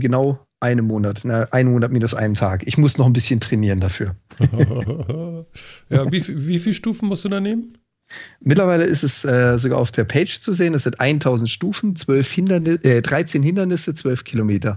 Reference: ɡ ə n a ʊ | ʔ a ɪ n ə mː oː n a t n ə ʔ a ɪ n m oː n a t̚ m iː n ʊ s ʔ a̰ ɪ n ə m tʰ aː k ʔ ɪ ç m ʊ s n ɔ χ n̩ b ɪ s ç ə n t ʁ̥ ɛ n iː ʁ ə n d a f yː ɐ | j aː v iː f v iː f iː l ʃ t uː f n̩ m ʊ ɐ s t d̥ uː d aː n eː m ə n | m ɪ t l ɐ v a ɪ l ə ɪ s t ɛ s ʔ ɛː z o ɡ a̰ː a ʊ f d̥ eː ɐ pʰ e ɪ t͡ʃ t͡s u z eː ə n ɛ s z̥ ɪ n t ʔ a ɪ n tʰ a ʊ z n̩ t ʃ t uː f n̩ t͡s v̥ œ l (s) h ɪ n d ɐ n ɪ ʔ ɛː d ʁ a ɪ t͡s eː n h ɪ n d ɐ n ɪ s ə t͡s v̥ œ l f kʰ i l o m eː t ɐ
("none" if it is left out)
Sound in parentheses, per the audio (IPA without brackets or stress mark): f